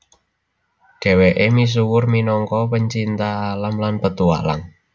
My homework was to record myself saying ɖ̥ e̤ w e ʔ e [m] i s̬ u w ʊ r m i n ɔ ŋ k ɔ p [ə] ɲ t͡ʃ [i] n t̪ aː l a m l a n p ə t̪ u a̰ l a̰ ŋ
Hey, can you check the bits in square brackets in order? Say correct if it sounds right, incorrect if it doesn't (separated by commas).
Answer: correct, correct, correct